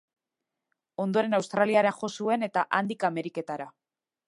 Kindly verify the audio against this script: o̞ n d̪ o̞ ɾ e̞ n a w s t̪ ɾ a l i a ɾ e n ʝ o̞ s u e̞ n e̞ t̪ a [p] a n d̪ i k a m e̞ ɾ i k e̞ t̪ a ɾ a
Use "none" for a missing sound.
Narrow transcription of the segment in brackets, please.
ʔ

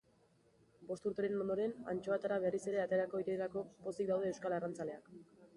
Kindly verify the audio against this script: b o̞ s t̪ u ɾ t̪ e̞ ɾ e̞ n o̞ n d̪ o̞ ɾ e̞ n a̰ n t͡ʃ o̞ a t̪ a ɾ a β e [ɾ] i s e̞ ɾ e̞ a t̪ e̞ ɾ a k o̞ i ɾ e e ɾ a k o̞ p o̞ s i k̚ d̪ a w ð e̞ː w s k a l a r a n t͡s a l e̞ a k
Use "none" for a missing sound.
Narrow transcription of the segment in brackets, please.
r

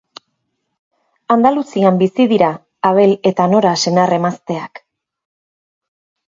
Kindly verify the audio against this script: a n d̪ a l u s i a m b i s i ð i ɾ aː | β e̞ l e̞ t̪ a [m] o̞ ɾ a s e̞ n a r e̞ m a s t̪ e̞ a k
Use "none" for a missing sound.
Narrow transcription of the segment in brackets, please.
n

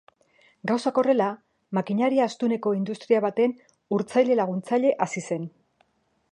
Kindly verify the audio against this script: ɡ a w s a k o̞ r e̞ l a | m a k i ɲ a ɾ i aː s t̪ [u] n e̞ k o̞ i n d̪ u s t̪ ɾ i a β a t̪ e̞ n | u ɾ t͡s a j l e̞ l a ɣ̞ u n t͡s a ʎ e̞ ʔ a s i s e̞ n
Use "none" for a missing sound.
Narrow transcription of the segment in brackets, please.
u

